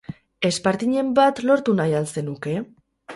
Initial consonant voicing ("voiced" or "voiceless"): voiceless